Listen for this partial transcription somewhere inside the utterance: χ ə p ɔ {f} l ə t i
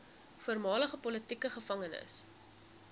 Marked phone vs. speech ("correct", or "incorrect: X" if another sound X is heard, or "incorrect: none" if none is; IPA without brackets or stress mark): incorrect: none